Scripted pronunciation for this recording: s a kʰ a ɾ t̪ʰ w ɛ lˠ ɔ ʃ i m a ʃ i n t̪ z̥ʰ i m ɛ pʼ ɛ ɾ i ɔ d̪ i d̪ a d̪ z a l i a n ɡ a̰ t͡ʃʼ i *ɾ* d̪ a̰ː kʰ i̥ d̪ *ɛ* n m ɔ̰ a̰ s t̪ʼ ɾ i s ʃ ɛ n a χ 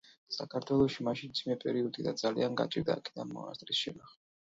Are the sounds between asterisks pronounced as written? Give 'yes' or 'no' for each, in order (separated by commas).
yes, no